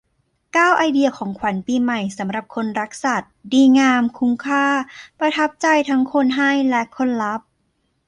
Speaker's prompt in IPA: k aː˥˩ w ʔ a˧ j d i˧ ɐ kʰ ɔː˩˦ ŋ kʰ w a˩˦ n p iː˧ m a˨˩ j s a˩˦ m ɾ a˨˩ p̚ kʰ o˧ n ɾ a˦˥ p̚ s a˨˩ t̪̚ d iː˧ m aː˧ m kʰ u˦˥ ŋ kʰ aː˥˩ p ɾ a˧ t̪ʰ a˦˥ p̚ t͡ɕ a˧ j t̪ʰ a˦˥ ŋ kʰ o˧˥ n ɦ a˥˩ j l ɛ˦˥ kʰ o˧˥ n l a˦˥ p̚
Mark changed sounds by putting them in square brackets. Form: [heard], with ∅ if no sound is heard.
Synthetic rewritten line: k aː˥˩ w ʔ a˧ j d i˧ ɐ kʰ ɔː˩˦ ŋ kʰ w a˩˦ n p iː˧ m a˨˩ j s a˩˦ m ɾ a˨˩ p̚ kʰ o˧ n ɾ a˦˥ [k̚] s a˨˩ t̪̚ d iː˧ [ŋ] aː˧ m kʰ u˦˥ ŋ kʰ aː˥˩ p ɾ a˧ t̪ʰ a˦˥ p̚ t͡ɕ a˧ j t̪ʰ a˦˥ ŋ kʰ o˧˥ n ɦ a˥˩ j l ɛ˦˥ kʰ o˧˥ n l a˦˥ p̚